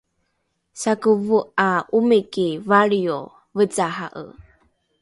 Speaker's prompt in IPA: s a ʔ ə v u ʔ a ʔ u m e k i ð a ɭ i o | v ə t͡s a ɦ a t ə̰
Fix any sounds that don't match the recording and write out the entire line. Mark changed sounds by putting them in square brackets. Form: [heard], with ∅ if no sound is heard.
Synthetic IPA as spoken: s a [k] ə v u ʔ a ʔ u m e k i [v] a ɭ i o | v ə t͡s a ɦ a [ʔ] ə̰